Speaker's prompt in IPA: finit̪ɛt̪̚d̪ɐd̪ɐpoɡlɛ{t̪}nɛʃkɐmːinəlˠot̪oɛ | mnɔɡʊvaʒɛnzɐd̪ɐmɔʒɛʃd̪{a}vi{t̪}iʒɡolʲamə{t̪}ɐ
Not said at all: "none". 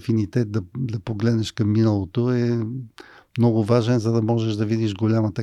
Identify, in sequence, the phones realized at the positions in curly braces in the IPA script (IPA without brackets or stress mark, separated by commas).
d̪, ɐ, d̪, t̪